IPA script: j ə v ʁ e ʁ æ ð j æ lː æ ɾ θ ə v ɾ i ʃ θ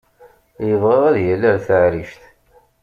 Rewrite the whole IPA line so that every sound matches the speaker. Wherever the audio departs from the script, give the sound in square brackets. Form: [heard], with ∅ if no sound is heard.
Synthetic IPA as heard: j ə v ʁ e ʁ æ ð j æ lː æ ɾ θ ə [ʕ] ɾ i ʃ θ